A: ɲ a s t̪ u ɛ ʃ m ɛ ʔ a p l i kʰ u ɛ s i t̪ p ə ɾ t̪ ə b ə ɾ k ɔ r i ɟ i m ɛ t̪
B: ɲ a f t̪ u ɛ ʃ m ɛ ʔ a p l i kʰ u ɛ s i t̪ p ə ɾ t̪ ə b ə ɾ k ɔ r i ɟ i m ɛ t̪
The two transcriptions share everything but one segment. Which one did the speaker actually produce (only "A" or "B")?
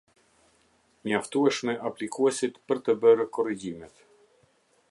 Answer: B